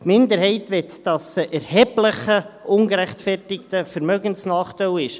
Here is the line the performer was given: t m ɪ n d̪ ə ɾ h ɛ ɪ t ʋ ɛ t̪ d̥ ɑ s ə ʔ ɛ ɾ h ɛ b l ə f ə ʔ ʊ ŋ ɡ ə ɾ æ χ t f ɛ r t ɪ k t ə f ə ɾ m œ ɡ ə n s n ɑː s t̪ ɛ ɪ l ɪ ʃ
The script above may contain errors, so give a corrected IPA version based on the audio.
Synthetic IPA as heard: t m ɪ n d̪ ə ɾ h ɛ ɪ t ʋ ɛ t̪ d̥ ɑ s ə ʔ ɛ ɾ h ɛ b l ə χ ə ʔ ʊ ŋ ɡ ə ɾ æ χ t f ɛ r t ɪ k t ə f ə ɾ m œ ɡ ə n s n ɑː χ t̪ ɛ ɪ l ɪ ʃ